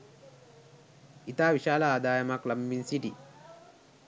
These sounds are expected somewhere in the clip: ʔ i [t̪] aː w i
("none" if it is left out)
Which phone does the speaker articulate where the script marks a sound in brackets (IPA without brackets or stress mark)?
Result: t̪